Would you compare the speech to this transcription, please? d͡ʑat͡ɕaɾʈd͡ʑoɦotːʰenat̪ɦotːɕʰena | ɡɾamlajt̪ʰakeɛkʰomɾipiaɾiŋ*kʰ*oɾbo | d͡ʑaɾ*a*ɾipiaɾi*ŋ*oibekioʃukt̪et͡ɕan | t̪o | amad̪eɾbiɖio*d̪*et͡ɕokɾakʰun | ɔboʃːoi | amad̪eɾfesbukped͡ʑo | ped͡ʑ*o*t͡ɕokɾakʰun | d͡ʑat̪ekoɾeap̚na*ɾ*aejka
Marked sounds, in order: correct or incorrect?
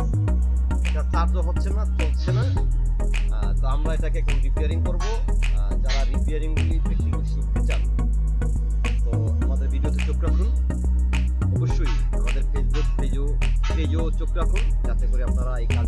incorrect: k, correct, correct, incorrect: t̪, correct, correct

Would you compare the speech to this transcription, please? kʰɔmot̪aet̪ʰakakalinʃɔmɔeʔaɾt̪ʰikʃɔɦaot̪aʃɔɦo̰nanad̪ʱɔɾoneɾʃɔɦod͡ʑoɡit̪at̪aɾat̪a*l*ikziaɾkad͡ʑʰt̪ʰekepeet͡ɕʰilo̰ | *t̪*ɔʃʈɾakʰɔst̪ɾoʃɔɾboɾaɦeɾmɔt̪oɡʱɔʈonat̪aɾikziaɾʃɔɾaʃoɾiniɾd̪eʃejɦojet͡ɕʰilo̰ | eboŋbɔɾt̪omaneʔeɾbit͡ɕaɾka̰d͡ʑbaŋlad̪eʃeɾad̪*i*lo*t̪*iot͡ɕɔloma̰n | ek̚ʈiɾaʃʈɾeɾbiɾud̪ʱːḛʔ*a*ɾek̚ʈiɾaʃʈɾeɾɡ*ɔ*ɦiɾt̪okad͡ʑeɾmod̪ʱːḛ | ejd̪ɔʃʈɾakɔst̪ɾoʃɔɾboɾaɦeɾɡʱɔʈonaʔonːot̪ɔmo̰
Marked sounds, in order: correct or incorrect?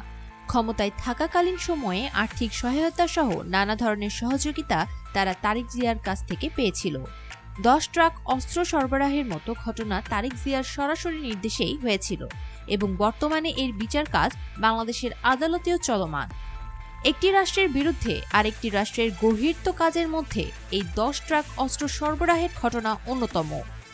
incorrect: ɾ, incorrect: d̪, incorrect: a, correct, correct, incorrect: o

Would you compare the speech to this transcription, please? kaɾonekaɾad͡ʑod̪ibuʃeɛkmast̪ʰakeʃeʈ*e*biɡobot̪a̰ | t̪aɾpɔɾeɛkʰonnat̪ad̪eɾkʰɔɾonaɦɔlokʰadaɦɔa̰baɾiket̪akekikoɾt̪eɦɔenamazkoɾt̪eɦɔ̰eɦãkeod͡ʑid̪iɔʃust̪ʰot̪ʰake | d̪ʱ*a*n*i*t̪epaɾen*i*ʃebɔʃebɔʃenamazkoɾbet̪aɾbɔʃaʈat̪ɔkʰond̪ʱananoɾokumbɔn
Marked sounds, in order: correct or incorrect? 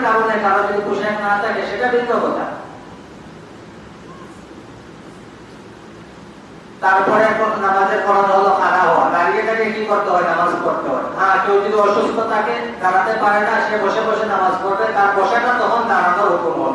incorrect: a, correct, incorrect: a, incorrect: a

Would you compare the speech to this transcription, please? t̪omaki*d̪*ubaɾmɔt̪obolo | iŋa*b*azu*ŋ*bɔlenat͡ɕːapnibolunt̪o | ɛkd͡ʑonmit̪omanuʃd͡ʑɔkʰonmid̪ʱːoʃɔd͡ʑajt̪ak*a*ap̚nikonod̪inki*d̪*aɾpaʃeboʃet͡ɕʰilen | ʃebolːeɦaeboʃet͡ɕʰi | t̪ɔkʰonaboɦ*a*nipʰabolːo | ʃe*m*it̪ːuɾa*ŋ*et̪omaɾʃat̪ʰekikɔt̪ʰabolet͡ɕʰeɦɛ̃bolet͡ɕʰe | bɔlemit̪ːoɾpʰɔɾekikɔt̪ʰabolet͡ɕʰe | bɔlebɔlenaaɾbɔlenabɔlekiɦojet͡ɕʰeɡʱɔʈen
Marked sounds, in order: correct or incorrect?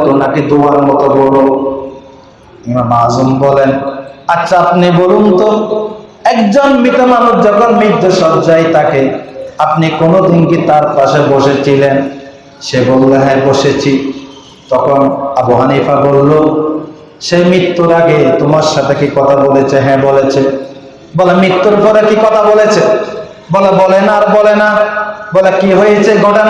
correct, incorrect: m, incorrect: m, incorrect: e, incorrect: t̪, correct, correct, incorrect: ɡ

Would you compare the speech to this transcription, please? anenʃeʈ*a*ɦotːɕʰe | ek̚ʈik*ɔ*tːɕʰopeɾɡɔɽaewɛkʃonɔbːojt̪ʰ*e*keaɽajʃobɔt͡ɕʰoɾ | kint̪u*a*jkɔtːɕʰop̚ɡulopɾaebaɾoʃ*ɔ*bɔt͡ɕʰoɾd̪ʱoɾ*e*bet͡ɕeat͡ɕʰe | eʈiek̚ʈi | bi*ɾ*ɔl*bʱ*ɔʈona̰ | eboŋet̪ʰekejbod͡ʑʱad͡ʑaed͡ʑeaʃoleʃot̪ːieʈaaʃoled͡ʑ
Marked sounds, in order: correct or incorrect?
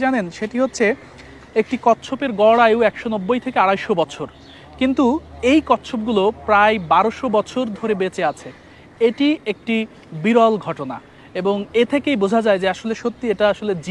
incorrect: i, correct, correct, incorrect: e, incorrect: o, correct, correct, incorrect: ɡʱ

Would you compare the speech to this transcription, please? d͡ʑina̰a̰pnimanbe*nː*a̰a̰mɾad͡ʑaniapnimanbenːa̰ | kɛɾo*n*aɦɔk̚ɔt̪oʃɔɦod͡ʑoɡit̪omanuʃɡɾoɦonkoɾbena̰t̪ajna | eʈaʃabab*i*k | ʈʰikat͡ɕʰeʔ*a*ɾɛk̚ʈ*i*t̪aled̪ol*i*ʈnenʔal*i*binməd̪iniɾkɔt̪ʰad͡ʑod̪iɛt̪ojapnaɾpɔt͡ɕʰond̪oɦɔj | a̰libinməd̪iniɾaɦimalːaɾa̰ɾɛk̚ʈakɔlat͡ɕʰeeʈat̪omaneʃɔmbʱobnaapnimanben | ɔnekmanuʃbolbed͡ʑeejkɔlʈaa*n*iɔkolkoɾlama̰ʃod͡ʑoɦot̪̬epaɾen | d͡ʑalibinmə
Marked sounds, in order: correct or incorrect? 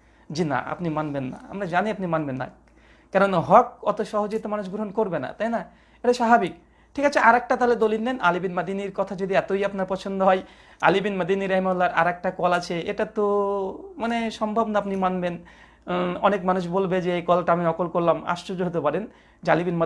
correct, correct, correct, correct, incorrect: a, correct, correct, incorrect: m

